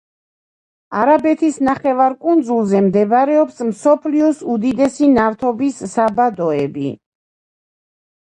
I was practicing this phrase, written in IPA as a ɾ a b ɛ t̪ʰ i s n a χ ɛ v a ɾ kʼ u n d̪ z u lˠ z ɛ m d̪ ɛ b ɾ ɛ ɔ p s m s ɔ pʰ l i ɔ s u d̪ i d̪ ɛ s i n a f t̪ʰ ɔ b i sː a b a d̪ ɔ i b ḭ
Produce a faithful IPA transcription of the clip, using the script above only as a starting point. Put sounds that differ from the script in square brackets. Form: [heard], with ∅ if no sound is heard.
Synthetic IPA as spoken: a ɾ a b ɛ t̪ʰ i s n a χ ɛ v a ɾ kʼ u n d̪ z u lˠ z ɛ m d̪ ɛ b ɾ ɛ ɔ p s m s ɔ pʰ l i ɔ s u d̪ i d̪ ɛ s i n a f t̪ʰ ɔ b i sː a b a d̪ ɔ [ɛ] b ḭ

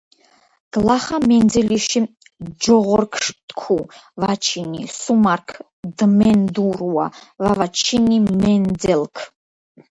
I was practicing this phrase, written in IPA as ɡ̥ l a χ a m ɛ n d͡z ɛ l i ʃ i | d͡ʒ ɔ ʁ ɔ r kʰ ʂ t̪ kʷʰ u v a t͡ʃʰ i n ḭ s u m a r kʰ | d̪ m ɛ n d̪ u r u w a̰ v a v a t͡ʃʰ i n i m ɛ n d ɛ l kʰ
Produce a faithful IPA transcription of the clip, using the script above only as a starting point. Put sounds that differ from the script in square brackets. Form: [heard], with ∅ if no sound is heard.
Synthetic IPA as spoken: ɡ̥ l a χ a m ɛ n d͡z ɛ l i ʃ i | d͡ʒ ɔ ʁ ɔ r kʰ ʂ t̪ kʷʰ u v a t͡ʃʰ i n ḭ s u m a r kʰ | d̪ m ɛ n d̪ u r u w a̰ v a v a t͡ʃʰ i n i m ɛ n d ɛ l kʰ

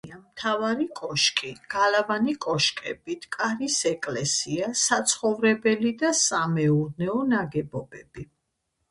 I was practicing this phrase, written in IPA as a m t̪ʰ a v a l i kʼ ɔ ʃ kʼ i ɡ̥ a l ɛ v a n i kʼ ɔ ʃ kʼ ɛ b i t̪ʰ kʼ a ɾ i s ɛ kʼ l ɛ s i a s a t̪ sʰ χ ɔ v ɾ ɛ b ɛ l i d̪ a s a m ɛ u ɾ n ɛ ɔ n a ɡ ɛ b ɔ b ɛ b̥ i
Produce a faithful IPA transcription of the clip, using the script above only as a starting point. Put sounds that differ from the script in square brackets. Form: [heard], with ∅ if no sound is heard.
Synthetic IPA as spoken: a m t̪ʰ a v a [ɾ] i kʼ ɔ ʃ kʼ i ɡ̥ a l [a] v a n i kʼ ɔ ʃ kʼ ɛ b i t̪ʰ kʼ a ɾ i s ɛ kʼ l ɛ s i a s a t̪ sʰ χ ɔ v ɾ ɛ b ɛ l i d̪ a s a m ɛ u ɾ n ɛ ɔ n a ɡ ɛ b ɔ b ɛ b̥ i

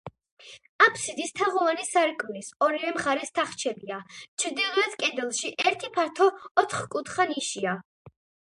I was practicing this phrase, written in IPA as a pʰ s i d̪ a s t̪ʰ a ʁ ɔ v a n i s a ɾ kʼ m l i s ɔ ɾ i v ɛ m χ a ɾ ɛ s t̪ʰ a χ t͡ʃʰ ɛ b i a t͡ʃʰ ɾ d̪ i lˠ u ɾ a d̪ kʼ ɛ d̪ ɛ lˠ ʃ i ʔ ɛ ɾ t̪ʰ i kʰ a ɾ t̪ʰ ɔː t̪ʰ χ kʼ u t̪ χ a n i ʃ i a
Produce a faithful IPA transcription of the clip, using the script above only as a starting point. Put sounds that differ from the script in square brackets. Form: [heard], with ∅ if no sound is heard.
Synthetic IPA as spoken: a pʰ s i d̪ [i] s t̪ʰ a ʁ ɔ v a n i s a ɾ kʼ m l i s ɔ ɾ i v ɛ m χ a ɾ ɛ s t̪ʰ a χ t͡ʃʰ ɛ b i a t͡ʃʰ ɾ d̪ i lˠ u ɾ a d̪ kʼ ɛ d̪ ɛ lˠ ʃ i ʔ ɛ ɾ t̪ʰ i [pʰ] a ɾ t̪ʰ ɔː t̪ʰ χ kʼ u t̪ χ a n i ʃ i a

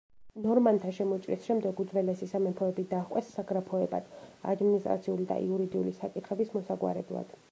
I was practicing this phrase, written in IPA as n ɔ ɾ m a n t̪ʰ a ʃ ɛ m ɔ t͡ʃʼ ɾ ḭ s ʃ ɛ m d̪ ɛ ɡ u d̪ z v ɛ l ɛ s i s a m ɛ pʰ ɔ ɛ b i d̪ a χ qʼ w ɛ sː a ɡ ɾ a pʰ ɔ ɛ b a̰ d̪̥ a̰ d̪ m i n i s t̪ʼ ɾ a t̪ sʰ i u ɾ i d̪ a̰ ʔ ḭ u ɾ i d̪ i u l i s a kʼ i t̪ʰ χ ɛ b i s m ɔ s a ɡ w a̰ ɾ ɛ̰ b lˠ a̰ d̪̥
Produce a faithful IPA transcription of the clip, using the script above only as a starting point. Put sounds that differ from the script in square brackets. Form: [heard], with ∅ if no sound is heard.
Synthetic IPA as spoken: n ɔ ɾ m a n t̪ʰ a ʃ ɛ m ɔ t͡ʃʼ ɾ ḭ s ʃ ɛ m d̪ ɛ ɡ u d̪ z v ɛ l ɛ s i s a m ɛ pʰ ɔ ɛ b i d̪ a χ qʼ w ɛ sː a ɡ ɾ a pʰ ɔ ɛ b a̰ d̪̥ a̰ d̪ m i n i s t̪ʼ ɾ a t̪ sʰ i u [l] i d̪ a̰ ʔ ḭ u ɾ i d̪ i u l i s a kʼ i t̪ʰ χ ɛ b i s m ɔ s a ɡ w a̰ ɾ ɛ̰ b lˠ a̰ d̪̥

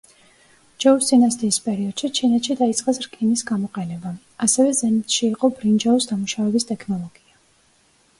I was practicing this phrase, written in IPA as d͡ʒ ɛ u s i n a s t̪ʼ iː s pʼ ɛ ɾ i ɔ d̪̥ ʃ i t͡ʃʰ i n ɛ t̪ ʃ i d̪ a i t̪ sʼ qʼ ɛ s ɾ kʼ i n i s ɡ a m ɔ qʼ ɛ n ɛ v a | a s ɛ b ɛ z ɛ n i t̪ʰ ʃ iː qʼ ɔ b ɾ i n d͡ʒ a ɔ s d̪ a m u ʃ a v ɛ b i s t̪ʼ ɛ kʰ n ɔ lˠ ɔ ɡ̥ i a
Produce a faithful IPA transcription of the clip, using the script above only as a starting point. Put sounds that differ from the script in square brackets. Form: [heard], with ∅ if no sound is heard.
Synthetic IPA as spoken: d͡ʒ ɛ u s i n a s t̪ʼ iː s pʼ ɛ ɾ i ɔ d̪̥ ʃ i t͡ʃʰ i n ɛ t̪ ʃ i d̪ a i t̪ sʼ qʼ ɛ s ɾ kʼ i n i s ɡ a m ɔ qʼ ɛ n ɛ [b] a | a s ɛ [v] ɛ z ɛ n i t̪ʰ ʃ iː qʼ ɔ b ɾ i n d͡ʒ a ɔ s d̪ a m u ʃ a v ɛ b i s t̪ʼ ɛ kʰ n ɔ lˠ ɔ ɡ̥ i a

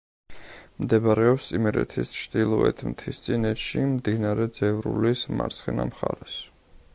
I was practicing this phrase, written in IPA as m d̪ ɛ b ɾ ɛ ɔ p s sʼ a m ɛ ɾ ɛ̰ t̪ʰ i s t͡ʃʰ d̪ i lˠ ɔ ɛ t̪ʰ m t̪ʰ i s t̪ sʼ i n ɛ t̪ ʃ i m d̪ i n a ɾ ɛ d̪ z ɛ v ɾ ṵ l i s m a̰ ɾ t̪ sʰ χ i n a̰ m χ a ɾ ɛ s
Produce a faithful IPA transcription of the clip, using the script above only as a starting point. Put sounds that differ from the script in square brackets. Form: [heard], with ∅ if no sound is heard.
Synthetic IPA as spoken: m d̪ ɛ b ɾ ɛ ɔ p s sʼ [i] m ɛ ɾ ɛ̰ t̪ʰ i s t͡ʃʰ d̪ i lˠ ɔ ɛ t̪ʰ m t̪ʰ i s t̪ sʼ i n ɛ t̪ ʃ i m d̪ i n a ɾ ɛ d̪ z ɛ v ɾ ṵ l i s m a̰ ɾ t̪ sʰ χ [ɛ] n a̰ m χ a ɾ ɛ s

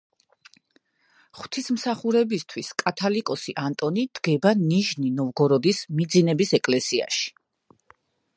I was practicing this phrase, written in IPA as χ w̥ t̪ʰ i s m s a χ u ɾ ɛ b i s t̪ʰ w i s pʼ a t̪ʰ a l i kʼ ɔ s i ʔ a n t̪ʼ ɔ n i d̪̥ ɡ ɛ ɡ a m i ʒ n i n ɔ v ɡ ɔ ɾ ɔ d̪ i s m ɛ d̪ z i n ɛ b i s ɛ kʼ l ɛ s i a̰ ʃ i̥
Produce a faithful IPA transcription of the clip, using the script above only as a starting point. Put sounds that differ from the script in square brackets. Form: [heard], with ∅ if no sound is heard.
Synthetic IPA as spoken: χ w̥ t̪ʰ i s m s a χ u ɾ ɛ b i s t̪ʰ w i s [kʼ] a t̪ʰ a l i kʼ ɔ s i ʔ a n t̪ʼ ɔ n i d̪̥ ɡ ɛ [b] a [n] i ʒ n i n ɔ v ɡ ɔ ɾ ɔ d̪ i s m [i] d̪ z i n ɛ b i s ɛ kʼ l ɛ s i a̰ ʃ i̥

